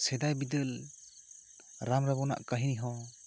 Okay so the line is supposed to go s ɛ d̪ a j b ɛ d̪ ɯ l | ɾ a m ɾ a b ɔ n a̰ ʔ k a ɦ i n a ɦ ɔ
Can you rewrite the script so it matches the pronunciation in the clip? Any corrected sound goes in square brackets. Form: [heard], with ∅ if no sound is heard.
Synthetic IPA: s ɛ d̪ a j b [i] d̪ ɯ l | ɾ a m ɾ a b ɔ n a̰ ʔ k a ɦ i n [i] ɦ ɔ